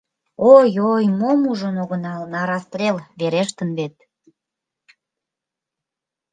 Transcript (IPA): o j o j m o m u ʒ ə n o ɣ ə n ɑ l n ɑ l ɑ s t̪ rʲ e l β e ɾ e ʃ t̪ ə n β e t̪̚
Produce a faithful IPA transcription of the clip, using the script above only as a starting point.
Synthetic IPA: o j o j m o m u ʒ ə n o ɣ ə n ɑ l n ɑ ɾ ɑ s t̪ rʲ e l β e ɾ e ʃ t̪ ə n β e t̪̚